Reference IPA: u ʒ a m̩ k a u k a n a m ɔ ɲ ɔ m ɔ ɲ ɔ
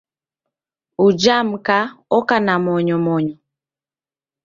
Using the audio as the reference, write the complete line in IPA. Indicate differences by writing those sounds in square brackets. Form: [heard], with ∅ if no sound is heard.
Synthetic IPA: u [d͡ʒ] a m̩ k a [ɔ] k a n a m ɔ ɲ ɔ m ɔ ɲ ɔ